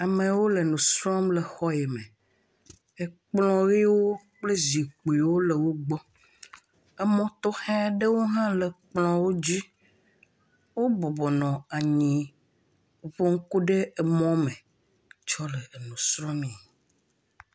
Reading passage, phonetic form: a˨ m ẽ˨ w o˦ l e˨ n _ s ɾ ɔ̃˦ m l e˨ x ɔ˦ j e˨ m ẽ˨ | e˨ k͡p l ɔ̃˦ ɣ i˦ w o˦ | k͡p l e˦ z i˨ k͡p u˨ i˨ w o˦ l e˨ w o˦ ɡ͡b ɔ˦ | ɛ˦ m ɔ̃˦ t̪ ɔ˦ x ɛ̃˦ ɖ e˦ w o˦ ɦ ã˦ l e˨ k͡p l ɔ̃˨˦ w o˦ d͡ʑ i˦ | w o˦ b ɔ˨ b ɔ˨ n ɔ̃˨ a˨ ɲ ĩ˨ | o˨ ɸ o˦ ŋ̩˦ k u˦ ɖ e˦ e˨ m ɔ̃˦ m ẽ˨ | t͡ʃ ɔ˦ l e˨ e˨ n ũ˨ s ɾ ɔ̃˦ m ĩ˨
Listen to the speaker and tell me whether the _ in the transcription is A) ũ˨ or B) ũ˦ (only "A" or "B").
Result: A